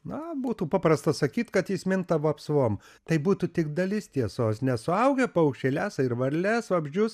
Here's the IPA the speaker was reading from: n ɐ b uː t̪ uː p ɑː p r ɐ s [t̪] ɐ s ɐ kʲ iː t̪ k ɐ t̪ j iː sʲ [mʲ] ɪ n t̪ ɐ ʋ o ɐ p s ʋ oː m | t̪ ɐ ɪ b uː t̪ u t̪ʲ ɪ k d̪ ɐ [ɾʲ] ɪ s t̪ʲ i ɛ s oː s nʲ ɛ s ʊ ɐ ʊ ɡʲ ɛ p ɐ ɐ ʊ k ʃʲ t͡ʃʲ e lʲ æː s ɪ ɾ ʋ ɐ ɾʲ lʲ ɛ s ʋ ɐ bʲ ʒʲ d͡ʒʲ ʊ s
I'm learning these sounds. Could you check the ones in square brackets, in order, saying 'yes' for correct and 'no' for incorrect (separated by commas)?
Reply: yes, yes, no